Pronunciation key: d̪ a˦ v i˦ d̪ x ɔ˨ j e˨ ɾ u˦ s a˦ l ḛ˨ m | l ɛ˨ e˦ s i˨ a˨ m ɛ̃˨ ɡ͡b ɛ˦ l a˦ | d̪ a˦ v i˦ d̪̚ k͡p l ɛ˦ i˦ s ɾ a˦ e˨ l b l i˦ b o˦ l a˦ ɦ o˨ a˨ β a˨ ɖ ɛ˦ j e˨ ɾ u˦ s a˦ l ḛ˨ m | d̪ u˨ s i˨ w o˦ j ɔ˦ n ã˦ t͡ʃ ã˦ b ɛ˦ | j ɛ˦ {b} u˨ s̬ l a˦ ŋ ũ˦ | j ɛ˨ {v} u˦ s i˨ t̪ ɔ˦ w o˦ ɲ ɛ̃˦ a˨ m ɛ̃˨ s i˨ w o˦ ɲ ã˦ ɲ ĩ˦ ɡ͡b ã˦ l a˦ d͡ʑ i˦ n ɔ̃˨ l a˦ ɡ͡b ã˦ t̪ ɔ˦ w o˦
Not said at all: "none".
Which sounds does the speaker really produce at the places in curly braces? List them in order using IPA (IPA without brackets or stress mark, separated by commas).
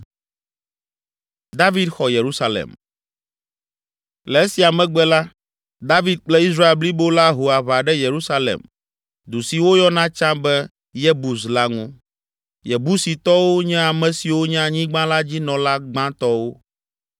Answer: b, b